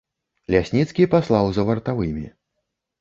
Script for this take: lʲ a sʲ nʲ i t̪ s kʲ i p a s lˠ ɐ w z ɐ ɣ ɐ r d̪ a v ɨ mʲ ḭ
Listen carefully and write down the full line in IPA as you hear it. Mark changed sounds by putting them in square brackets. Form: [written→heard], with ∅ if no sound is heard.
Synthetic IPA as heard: lʲ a sʲ nʲ i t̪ s kʲ i p a s lˠ [ɐ→a] w z ɐ [ɣ→v] ɐ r [d̪→t̪] a v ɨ mʲ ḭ